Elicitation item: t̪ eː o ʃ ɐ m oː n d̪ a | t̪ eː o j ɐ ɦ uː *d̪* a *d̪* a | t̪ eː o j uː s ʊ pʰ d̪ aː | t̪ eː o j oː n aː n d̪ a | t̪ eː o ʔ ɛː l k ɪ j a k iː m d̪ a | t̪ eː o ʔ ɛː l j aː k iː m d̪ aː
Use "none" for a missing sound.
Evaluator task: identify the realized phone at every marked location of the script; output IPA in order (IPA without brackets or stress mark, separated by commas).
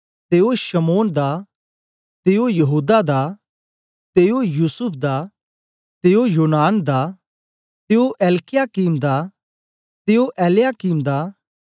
d̪, d̪